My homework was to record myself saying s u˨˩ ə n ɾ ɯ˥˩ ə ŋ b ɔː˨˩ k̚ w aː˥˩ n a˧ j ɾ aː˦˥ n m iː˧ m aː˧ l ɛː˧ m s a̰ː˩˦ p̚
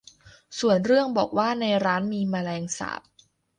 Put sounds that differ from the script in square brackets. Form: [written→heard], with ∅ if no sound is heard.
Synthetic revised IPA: s u˨˩ ə n ɾ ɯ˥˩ ə ŋ b ɔː˨˩ k̚ w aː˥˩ n a˧ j ɾ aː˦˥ n m iː˧ m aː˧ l ɛː˧ [m→ŋ] s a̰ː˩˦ p̚